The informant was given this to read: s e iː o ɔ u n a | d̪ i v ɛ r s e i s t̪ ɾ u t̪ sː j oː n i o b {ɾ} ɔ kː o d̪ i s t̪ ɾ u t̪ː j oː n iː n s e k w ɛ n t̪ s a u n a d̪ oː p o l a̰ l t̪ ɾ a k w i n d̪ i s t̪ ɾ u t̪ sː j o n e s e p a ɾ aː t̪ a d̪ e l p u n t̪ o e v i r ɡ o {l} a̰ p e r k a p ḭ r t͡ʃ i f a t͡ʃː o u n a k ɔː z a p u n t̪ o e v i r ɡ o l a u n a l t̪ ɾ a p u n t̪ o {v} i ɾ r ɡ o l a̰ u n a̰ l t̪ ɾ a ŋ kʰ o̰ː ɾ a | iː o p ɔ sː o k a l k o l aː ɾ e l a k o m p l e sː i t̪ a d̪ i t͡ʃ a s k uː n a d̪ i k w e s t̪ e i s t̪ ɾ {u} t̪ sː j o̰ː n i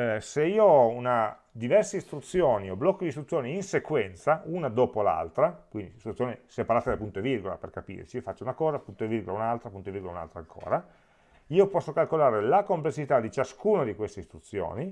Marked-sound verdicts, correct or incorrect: incorrect, correct, correct, correct

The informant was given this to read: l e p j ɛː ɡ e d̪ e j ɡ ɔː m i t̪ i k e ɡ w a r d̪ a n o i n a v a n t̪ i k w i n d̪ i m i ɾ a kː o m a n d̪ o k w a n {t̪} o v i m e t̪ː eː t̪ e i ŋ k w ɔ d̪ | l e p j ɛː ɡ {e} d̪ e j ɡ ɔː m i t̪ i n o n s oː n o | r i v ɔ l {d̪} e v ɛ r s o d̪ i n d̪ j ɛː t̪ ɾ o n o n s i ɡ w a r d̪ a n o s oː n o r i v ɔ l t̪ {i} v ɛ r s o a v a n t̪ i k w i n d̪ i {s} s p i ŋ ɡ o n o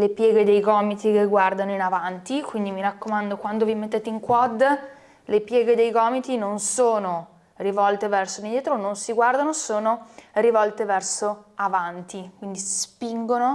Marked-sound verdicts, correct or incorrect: incorrect, correct, incorrect, incorrect, correct

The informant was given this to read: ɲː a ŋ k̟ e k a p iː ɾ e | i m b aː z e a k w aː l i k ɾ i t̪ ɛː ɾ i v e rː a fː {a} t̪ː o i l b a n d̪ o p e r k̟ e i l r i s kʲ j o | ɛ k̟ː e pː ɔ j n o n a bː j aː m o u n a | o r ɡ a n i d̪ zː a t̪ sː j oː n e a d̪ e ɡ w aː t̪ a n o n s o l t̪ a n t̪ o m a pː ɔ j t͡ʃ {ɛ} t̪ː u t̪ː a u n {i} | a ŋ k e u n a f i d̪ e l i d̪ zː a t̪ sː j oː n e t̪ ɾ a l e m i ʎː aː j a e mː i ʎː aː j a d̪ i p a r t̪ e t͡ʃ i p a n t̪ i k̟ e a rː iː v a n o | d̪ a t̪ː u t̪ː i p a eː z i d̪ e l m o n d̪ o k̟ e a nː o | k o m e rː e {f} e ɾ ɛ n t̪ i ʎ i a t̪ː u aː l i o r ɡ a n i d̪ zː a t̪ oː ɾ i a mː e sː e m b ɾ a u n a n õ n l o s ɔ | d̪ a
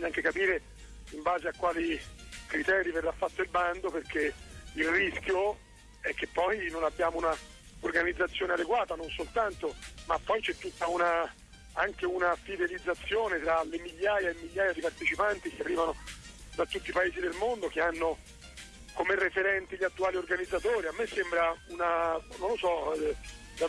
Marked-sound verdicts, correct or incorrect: correct, correct, incorrect, correct

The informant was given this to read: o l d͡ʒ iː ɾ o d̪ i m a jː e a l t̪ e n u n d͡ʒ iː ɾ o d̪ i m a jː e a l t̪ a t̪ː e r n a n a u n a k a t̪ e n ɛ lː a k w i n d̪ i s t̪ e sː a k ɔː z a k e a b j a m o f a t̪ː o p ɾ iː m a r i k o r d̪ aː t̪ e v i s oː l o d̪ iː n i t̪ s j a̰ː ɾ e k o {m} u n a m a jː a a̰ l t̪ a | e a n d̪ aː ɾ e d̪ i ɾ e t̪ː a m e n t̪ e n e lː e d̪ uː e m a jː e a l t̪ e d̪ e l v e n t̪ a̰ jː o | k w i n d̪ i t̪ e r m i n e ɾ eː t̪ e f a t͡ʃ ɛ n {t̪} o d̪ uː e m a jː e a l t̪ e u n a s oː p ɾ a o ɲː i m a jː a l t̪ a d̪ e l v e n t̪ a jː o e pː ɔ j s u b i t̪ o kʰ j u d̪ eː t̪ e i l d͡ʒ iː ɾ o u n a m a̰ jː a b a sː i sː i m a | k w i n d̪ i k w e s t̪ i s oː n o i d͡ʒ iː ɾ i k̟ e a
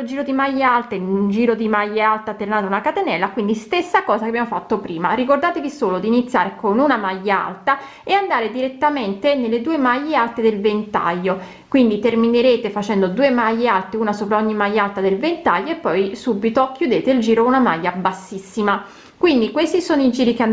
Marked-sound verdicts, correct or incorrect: incorrect, incorrect

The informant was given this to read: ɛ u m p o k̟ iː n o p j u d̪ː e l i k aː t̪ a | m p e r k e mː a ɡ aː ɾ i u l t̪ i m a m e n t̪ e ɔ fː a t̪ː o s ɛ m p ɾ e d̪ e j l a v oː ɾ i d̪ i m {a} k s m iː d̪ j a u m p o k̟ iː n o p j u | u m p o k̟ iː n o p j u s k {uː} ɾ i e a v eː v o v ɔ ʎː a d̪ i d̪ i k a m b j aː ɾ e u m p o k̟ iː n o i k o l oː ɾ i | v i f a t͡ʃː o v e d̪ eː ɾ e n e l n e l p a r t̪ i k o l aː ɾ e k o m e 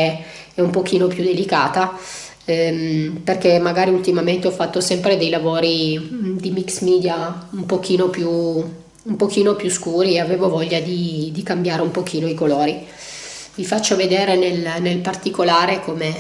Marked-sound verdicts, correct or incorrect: incorrect, correct

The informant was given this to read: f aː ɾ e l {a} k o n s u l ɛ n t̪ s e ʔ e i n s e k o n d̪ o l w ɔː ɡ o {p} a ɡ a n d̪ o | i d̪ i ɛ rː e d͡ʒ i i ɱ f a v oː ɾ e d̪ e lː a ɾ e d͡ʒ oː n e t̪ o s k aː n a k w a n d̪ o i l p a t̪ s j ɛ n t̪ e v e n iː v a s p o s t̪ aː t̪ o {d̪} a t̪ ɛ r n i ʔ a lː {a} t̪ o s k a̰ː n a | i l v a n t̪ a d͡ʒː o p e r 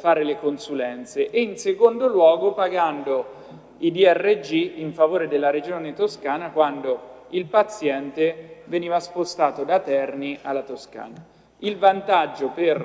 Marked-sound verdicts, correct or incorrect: incorrect, correct, correct, correct

